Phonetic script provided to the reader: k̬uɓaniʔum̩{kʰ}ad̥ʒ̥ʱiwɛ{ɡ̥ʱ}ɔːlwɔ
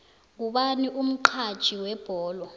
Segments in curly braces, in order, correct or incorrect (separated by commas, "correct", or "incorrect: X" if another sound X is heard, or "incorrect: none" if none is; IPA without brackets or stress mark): incorrect: ǃʰ, incorrect: b̥ʱ